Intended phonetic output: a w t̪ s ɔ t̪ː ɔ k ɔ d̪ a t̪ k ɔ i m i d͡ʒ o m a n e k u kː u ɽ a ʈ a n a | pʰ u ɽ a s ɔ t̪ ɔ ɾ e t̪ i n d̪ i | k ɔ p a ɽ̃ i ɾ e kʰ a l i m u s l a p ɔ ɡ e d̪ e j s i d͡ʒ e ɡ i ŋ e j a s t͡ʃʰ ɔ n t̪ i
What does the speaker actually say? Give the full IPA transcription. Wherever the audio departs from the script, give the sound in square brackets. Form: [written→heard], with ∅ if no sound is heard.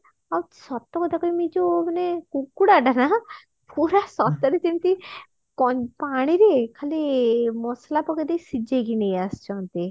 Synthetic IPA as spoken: a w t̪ s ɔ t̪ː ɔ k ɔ d̪ a [t̪→∅] k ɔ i m i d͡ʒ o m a n e k u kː u ɽ a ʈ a n a | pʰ u [ɽ→ɾ] a s ɔ t̪ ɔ ɾ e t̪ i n [d̪→t̪] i | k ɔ p a ɽ̃ i ɾ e kʰ a l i m [u→ɔ] s l a p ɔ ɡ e d̪ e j s i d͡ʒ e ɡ i [ŋ→n] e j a s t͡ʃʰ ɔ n t̪ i

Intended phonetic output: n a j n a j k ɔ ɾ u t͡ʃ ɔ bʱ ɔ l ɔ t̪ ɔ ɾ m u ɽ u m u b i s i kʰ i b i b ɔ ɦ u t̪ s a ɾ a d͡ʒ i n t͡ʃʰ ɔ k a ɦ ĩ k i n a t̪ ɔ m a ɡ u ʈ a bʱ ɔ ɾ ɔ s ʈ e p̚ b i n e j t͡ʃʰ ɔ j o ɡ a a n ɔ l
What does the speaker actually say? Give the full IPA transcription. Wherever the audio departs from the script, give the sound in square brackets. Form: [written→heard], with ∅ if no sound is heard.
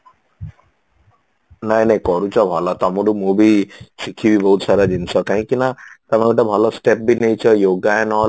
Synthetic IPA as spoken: n a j n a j k ɔ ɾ u t͡ʃ ɔ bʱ ɔ l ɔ t̪ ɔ [ɾ→∅] m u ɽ u m u b i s i kʰ i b i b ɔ ɦ u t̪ s a ɾ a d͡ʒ i n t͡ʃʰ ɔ k a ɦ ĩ k i n a t̪ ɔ m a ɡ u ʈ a bʱ ɔ [ɾ→l] ɔ s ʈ e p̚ b i n e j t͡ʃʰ ɔ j o ɡ a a n ɔ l

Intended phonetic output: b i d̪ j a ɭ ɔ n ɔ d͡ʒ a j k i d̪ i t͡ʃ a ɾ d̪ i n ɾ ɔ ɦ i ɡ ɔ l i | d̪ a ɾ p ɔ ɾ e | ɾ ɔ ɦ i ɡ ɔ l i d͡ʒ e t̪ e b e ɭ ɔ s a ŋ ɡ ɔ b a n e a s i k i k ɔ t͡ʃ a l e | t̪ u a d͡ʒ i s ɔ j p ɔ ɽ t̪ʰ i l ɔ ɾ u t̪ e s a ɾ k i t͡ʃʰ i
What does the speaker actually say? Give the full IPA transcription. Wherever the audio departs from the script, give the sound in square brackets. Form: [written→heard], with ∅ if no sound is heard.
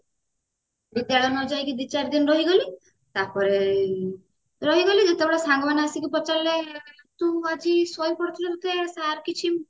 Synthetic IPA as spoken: b i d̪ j a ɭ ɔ n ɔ d͡ʒ a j k i d̪ i t͡ʃ a ɾ d̪ i n ɾ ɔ ɦ i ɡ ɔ l i | [d̪→t̪] a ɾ p ɔ ɾ e | ɾ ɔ ɦ i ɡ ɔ l i d͡ʒ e t̪ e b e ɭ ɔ s a ŋ ɡ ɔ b a n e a s i k i [k→p] ɔ t͡ʃ a l e | t̪ u a d͡ʒ i s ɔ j p ɔ ɽ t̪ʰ i l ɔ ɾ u t̪ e s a ɾ k i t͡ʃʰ i

